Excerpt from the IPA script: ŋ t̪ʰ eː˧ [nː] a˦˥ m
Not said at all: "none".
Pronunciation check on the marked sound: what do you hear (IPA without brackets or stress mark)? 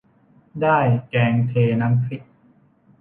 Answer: n